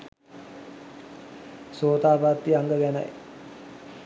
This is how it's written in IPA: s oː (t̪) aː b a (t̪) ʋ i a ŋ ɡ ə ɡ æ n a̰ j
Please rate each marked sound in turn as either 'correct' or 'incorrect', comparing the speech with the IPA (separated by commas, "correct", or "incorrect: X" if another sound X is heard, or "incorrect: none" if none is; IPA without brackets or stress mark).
correct, correct